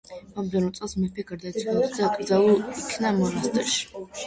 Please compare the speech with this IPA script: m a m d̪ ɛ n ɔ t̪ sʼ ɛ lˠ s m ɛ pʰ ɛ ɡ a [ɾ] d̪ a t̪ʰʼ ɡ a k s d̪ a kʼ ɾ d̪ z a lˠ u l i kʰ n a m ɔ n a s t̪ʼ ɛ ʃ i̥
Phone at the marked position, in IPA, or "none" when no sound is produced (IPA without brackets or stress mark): ɾ